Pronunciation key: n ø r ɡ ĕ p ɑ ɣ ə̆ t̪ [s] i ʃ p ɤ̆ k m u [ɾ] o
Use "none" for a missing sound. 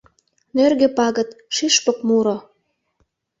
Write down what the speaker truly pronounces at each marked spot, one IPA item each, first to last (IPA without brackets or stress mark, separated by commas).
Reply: ʃ, ɾ